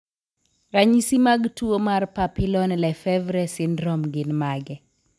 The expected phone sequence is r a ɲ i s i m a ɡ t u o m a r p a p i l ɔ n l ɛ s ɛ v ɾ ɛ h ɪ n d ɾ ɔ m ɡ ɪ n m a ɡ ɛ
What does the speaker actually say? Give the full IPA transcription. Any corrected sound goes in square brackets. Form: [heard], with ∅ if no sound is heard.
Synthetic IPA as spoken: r a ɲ i s i m a ɡ t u o m a r p a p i l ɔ n l ɛ [f] ɛ v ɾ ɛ [s] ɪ n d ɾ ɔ m ɡ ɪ n m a ɡ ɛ